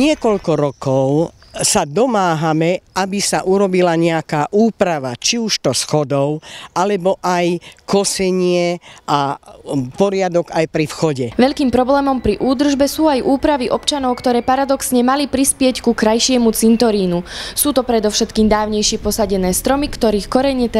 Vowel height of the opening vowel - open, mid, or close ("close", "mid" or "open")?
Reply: close